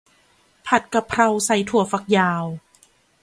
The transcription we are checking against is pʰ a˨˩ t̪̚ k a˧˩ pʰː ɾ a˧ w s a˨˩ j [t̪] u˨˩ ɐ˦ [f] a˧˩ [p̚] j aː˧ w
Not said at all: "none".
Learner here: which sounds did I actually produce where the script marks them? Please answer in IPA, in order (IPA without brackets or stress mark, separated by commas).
t̪ʰ, f, k̚